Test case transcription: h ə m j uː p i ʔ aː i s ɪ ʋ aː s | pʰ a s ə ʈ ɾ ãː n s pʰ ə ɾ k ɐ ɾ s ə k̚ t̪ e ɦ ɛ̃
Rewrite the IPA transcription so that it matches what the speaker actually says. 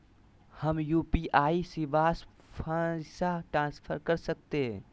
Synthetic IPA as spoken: h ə m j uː p i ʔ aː i s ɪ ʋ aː s | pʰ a s a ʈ ɾ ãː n s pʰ ə ɾ k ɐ ɾ s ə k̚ t̪ e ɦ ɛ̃